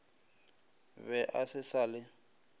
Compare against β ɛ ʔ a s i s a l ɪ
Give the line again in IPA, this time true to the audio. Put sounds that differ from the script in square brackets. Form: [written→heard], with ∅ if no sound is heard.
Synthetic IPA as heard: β ɛ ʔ a s [i→ɪ] s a l ɪ